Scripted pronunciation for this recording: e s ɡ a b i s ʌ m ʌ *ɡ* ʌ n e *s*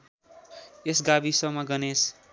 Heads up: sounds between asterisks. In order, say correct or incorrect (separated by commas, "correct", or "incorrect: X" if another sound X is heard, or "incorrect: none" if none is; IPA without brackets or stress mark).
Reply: correct, correct